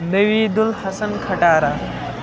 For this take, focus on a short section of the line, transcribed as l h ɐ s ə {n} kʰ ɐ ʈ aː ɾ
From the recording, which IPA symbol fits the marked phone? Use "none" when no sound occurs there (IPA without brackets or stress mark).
n